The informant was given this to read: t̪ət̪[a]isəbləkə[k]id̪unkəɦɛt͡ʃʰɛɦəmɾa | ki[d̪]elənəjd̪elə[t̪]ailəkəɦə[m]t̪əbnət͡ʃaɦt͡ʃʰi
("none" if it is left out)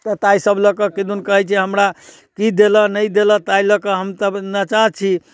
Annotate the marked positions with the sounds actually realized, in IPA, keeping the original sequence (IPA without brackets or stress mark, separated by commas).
a, k, d̪, t̪, m